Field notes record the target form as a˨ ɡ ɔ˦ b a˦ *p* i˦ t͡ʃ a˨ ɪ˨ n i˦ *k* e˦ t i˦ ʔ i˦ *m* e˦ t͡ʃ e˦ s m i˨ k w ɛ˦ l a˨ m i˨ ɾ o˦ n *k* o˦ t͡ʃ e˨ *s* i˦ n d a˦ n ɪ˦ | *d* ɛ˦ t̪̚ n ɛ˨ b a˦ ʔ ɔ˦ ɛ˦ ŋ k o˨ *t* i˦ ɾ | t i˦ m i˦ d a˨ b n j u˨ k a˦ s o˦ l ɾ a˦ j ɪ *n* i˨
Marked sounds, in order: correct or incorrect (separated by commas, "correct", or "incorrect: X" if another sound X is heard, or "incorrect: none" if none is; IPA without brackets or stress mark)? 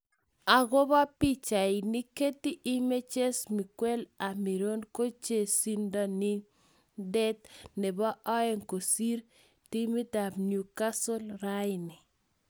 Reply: correct, correct, correct, correct, correct, correct, incorrect: s, correct